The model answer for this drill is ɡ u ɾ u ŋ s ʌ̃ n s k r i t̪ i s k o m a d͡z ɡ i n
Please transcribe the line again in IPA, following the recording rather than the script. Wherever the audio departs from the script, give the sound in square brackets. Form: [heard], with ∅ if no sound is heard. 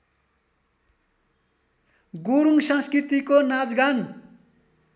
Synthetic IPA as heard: ɡ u ɾ u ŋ s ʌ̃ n s k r i t̪ i [∅] k o [n] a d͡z ɡ [a] n